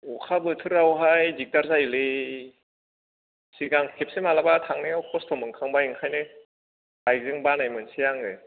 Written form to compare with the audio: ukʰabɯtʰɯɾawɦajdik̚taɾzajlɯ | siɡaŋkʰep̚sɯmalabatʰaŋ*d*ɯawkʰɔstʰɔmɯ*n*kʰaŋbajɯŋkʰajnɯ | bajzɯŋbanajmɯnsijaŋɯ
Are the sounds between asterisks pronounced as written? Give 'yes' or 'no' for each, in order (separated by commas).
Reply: no, no